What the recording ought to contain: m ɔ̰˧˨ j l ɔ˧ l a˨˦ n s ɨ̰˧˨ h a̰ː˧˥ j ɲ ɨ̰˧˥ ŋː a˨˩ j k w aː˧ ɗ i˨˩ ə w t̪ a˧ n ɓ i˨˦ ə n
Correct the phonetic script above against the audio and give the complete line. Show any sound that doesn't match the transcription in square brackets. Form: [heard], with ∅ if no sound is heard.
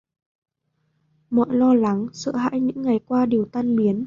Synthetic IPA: m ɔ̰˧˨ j l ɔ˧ l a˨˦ [ŋ] s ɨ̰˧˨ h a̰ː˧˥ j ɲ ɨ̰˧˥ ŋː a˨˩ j k w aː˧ ɗ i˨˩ ə w t̪ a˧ n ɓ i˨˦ ə n

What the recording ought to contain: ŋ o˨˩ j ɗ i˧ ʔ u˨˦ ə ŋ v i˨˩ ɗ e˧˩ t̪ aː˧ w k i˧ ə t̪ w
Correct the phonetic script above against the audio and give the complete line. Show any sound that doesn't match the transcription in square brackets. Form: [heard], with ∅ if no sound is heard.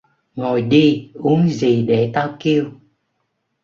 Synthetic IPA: ŋ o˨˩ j ɗ i˧ ʔ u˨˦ ə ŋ [z] i˨˩ ɗ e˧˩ t̪ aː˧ w k i˧ ə [∅] w

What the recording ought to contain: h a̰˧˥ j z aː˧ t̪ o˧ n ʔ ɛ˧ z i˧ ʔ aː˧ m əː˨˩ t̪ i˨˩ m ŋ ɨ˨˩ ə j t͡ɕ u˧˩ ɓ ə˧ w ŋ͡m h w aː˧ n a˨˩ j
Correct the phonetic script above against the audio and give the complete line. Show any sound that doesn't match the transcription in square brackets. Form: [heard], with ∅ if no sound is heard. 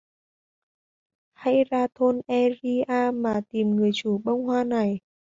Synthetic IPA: h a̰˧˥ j z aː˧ [t̪ʰ] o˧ n ʔ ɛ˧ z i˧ ʔ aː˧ m [aː˨˩] t̪ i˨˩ m ŋ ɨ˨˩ ə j t͡ɕ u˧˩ ɓ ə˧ w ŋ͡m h w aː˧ n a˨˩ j

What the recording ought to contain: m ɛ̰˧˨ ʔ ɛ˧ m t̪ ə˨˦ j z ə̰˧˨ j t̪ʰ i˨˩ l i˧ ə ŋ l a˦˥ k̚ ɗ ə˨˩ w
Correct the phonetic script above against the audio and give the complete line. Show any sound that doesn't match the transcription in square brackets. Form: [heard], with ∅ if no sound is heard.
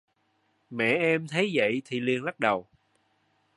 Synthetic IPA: m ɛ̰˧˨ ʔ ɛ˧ m [t̪ʰ] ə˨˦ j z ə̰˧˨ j t̪ʰ i˨˩ l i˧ ə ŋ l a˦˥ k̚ ɗ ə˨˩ w

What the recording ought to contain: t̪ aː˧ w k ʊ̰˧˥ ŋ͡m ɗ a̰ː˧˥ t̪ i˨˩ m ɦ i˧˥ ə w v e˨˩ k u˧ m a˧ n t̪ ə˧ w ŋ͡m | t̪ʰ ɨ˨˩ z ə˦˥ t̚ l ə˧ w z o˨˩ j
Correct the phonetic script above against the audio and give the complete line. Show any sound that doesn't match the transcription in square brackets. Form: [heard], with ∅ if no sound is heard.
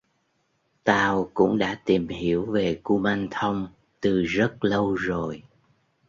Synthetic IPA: t̪ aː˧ w k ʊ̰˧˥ ŋ͡m ɗ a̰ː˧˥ t̪ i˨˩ m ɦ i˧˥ ə w v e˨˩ k u˧ m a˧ n [t̪ʰ] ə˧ w ŋ͡m | [t̪] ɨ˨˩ z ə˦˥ t̚ l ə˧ w z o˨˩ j

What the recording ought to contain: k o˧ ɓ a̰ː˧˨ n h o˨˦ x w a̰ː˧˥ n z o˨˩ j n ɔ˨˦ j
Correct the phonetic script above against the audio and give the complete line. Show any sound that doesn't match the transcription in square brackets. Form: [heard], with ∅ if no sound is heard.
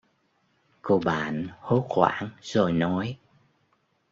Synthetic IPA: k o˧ ɓ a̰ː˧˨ n h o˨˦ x w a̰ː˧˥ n z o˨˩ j n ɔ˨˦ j

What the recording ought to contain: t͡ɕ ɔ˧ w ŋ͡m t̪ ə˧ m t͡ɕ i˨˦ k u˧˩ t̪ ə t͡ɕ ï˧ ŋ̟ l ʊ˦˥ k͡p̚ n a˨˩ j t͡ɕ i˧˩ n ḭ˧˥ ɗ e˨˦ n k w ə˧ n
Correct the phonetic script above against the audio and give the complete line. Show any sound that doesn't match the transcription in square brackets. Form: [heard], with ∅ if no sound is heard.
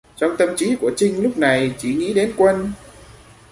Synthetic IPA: t͡ɕ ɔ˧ w ŋ͡m t̪ ə˧ m t͡ɕ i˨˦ k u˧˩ [∅] ə t͡ɕ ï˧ ŋ̟ l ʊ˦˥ k͡p̚ n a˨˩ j t͡ɕ i˧˩ [ŋ] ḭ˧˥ ɗ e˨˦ n k w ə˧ n

